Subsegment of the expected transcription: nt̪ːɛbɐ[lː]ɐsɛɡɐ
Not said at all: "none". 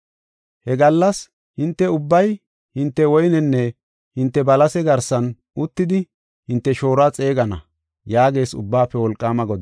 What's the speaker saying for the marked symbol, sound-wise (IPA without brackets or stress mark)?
l